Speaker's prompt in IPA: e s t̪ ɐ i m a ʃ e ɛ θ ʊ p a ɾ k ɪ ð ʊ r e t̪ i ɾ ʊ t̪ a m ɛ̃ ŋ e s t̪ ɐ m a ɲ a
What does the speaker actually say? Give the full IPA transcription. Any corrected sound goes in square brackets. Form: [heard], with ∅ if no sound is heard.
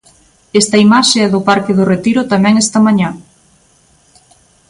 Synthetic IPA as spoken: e s t̪ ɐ i m a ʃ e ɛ [ð] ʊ p a ɾ k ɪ ð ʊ r e t̪ i ɾ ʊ t̪ a m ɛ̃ ŋ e s t̪ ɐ m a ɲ a